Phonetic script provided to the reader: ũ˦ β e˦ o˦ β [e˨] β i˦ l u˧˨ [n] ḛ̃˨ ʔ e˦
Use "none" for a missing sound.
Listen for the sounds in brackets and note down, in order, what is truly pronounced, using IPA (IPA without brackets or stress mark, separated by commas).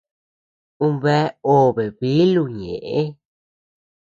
e˨, ɲ